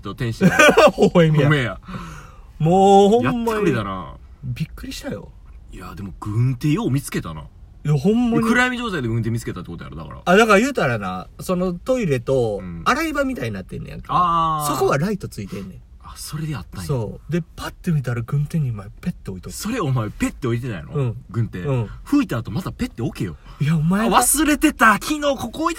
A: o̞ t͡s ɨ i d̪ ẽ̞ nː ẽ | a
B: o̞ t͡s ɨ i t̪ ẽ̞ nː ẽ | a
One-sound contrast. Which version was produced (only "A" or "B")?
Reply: B